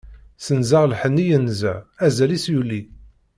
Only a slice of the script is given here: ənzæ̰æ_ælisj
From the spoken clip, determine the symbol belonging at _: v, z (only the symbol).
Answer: z